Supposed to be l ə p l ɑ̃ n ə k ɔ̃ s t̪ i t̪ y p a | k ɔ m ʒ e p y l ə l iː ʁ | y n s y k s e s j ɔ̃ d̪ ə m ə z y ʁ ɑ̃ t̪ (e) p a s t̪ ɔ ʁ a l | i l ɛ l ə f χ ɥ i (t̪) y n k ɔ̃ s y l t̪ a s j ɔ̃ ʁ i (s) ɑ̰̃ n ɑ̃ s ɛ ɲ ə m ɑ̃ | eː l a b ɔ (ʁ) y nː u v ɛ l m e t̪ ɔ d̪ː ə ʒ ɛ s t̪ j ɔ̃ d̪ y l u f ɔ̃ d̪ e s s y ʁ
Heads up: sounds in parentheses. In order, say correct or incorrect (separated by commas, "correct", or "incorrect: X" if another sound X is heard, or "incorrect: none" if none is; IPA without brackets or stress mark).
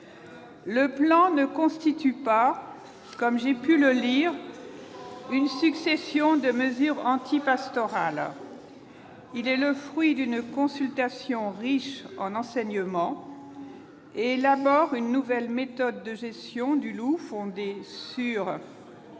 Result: incorrect: i, incorrect: d̪, incorrect: ʃ, correct